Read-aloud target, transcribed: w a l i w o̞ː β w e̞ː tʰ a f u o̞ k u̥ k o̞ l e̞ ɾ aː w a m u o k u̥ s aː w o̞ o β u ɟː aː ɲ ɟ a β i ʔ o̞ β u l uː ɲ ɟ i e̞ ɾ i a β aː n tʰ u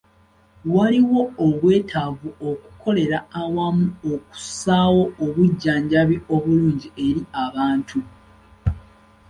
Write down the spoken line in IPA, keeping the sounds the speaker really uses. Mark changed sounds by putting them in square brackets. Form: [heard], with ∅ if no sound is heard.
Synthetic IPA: w a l i w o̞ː β w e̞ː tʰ a [v] u o̞ k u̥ k o̞ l e̞ ɾ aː w a m u o k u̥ s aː w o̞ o β u ɟː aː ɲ ɟ a β i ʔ o̞ β u l uː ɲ ɟ i e̞ ɾ i a β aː n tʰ u